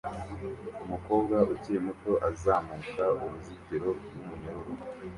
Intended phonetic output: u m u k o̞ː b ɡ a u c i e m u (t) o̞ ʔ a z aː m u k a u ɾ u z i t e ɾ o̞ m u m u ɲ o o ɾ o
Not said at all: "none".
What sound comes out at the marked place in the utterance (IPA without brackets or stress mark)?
t